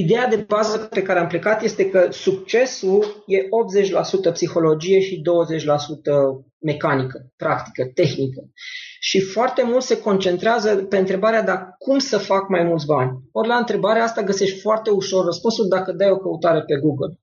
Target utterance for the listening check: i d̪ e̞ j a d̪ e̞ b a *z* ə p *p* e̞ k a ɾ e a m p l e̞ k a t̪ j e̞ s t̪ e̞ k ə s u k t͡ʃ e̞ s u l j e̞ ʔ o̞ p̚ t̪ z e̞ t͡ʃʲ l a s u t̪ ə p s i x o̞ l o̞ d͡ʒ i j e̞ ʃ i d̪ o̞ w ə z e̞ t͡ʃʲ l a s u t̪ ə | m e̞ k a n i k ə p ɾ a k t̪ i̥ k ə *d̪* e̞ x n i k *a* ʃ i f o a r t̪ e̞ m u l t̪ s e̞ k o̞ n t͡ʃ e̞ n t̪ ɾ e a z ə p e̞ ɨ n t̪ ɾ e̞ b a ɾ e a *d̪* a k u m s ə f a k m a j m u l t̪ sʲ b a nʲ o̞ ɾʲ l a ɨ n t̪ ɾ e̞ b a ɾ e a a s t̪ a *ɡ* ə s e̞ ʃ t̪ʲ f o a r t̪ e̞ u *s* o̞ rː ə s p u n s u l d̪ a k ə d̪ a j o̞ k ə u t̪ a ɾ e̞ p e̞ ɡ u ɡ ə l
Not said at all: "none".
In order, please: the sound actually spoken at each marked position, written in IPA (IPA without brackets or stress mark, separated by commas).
z, p, t̪, ə, d̪, ɡ, ʃ